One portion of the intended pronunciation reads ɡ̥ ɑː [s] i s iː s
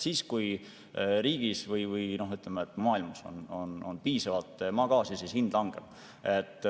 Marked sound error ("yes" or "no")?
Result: no